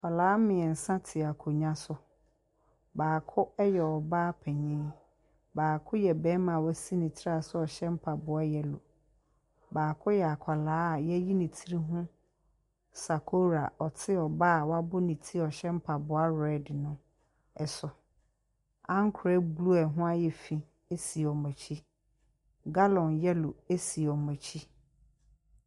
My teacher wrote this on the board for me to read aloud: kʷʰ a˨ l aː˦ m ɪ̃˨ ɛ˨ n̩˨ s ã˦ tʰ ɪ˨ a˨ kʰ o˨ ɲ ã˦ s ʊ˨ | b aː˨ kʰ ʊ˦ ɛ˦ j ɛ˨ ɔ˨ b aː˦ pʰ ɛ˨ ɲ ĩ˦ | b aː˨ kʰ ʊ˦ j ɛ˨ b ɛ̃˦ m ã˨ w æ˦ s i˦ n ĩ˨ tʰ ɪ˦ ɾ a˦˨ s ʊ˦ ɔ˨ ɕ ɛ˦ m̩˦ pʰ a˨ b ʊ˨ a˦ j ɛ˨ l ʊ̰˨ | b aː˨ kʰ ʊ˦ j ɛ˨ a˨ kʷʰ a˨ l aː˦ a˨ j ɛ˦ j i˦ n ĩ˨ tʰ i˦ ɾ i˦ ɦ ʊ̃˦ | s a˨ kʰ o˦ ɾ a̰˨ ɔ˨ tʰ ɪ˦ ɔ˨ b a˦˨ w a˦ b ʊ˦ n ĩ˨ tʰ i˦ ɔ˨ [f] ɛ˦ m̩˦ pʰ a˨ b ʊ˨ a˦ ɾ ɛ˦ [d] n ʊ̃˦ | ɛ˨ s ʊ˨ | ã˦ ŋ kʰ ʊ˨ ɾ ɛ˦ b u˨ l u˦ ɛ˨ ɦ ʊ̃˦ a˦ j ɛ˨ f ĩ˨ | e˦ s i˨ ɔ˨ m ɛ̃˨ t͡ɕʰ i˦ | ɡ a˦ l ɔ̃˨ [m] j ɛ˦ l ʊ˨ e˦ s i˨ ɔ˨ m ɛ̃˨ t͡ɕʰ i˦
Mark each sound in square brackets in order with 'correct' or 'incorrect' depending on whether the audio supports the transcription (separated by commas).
incorrect, correct, incorrect